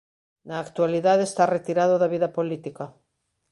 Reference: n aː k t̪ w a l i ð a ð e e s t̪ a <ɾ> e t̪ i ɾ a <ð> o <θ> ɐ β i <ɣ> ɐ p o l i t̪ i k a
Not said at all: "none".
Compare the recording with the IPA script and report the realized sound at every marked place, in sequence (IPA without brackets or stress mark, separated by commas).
r, ð, ð, ð